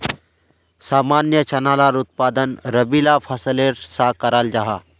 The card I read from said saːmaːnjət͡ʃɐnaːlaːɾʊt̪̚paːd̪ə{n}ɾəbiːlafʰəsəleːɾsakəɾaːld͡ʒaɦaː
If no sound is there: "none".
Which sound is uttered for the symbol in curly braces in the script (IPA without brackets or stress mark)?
n